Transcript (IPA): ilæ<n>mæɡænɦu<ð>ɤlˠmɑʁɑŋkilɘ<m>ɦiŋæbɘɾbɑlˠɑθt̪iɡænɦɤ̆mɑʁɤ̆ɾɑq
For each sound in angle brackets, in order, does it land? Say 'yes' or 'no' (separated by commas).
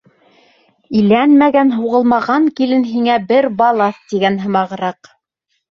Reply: yes, no, no